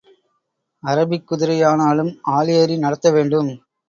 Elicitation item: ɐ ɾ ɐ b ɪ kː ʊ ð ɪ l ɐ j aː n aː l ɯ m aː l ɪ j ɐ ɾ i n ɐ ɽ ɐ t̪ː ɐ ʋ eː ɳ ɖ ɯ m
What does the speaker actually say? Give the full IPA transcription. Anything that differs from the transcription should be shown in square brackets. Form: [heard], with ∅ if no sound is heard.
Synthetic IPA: ɐ ɾ ɐ b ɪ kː ʊ ð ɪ [ɾ] ɐ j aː n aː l ɯ m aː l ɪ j ɐ ɾ i n ɐ ɽ ɐ t̪ː ɐ ʋ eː ɳ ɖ ɯ m